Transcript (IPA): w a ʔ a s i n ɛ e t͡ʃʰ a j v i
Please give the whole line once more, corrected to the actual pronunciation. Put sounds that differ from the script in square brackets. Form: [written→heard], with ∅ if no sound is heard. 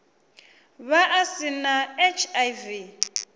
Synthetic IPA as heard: [w→β] a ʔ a s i n [ɛ→a] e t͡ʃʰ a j v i